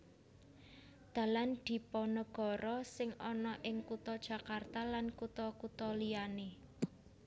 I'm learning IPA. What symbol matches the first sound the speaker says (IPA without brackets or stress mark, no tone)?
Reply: d̪̥